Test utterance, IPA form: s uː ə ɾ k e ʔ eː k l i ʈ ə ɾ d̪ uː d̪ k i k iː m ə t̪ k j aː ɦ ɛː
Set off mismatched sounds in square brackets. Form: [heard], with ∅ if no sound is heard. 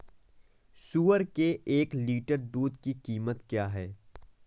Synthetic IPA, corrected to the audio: s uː ə ɾ k e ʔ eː k l [iː] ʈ ə ɾ d̪ uː d̪ k i k iː m ə t̪ k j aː ɦ ɛː